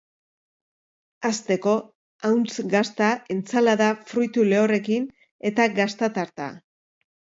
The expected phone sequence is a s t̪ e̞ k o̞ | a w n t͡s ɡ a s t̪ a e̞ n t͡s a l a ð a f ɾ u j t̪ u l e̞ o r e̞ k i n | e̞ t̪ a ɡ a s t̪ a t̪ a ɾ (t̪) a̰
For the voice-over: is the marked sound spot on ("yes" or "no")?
yes